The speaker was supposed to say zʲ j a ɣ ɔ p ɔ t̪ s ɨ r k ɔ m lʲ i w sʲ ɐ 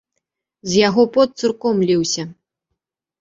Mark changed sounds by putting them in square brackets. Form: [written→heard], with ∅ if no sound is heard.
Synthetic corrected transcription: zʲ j a ɣ ɔ p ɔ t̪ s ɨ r k ɔ m lʲ i w sʲ ɐ